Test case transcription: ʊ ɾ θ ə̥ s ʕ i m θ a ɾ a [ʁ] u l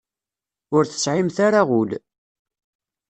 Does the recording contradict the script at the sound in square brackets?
no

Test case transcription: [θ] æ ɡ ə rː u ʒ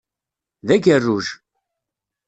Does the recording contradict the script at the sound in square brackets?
yes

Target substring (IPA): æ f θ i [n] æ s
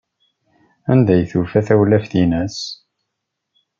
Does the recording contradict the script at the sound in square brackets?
no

